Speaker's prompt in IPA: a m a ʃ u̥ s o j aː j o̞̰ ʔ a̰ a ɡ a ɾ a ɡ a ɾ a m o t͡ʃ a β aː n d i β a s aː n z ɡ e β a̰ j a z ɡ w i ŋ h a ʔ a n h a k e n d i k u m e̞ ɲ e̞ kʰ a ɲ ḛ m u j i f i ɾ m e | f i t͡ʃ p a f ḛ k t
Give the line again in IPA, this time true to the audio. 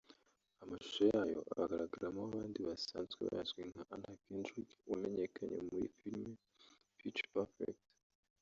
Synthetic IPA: a m a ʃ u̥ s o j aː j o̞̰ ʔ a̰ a ɡ a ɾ a ɡ a ɾ a m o a β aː n d i β a s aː n z ɡ e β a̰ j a z ɡ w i ŋ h a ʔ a n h a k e n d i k u m e̞ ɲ e̞ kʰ a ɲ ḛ m u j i f i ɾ m e | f i t͡ʃ p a f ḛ k t

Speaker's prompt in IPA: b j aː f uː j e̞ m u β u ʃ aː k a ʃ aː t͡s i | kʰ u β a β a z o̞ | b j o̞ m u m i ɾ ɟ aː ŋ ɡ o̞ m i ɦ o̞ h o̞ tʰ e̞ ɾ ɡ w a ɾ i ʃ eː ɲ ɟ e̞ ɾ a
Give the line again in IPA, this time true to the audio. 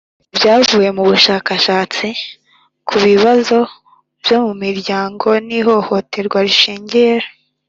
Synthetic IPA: b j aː v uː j e̞ m u β u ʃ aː k a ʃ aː t͡s i | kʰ u β i β a z o̞ | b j o̞ m u m i ɾ ɟ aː ŋ ɡ o̞ n i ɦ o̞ h o̞ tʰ e̞ ɾ ɡ w a ɾ i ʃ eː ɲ ɟ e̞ ɾ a

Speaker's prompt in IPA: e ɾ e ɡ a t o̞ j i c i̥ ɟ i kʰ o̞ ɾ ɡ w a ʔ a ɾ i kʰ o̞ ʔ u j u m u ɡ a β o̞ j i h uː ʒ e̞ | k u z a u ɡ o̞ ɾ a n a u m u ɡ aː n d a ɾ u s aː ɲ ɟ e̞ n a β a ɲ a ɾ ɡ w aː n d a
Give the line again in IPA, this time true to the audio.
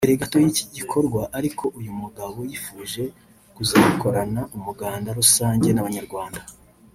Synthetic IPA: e ɾ e ɡ a t o̞ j i c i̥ ɟ i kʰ o̞ ɾ ɡ w a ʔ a ɾ i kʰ o̞ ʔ u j u m u ɡ a β o̞ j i f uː ʒ e̞ | k u z a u k o̞ ɾ a n a u m u ɡ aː n d a ɾ u s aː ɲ ɟ e̞ n a β a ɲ a ɾ ɡ w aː n d a

